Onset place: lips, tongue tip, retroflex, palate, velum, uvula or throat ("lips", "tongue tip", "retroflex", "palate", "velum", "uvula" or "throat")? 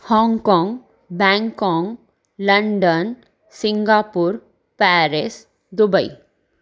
throat